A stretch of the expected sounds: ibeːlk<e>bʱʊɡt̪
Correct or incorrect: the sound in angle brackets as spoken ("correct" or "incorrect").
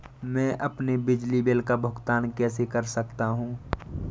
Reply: incorrect